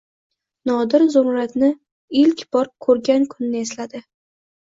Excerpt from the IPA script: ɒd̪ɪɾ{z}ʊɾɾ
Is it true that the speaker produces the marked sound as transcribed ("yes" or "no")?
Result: yes